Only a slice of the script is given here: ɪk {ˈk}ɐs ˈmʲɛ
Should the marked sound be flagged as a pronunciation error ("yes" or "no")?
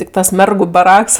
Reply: yes